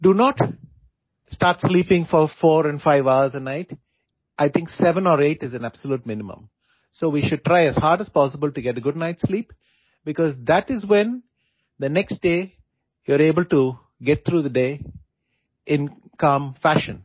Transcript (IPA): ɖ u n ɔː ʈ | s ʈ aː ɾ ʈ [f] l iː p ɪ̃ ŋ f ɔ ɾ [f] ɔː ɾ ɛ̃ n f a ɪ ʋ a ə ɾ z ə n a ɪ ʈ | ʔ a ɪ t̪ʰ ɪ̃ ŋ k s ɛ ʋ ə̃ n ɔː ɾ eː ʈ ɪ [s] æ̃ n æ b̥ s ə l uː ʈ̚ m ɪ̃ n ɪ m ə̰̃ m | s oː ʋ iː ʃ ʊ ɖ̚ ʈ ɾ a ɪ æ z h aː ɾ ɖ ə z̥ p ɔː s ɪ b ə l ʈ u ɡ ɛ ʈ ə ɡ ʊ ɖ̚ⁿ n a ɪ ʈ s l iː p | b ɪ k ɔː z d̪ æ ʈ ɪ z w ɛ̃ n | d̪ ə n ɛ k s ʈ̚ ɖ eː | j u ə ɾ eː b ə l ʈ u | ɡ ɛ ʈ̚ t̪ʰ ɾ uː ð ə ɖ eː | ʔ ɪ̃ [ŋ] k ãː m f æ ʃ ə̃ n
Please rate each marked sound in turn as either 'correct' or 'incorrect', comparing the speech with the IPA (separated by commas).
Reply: incorrect, correct, incorrect, incorrect